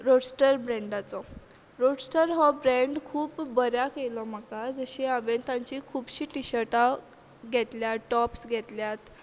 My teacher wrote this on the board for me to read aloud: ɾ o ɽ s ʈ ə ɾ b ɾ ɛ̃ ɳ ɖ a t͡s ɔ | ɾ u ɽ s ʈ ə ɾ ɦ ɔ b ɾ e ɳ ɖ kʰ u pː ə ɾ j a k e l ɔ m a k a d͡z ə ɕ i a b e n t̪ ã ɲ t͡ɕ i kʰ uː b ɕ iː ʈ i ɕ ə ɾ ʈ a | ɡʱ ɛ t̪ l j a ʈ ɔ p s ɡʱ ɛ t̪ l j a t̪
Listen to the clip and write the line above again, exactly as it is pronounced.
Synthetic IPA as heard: ɾ o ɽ s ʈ ə ɾ b ɾ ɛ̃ ɳ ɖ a t͡s ɔ | ɾ o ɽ s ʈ ə ɾ ɦ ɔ b ɾ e ɳ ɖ kʰ uː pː ə ɾ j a k e l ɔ m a k a d͡z ə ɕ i a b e n t̪ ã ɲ t͡ɕ i kʰ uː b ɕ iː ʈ i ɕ ə ɾ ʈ a | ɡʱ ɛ t̪ l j a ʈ ɔ p s ɡʱ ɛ t̪ l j a t̪